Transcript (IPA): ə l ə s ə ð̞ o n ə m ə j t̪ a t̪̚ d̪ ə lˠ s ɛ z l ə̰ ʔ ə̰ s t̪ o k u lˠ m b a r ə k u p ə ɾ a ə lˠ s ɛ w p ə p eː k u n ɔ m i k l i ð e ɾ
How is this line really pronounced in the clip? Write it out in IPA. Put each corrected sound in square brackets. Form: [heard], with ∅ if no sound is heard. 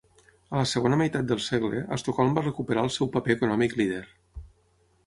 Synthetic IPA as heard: ə l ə s ə [ɣ̞] o n ə m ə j t̪ a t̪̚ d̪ ə lˠ s ɛ [ɣ] l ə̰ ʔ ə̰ s t̪ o k [ɔ] lˠ m b a r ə k u p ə ɾ a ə lˠ s ɛ w p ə p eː k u n ɔ m i k l i ð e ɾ